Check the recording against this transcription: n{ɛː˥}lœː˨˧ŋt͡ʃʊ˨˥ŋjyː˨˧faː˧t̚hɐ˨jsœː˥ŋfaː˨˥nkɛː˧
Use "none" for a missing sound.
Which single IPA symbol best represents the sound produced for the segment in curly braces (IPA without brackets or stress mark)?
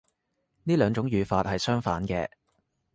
iː˥